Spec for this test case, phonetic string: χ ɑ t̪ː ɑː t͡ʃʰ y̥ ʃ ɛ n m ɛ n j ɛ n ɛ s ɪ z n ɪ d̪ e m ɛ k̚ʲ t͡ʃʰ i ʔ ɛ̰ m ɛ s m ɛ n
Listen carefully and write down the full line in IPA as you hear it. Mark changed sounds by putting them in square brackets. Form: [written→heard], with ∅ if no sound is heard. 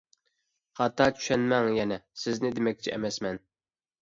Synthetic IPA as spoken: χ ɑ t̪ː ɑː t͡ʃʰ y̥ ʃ ɛ n m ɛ [n→ŋ] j ɛ n ɛ s ɪ z n ɪ d̪ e m ɛ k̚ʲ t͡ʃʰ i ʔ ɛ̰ m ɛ s m ɛ n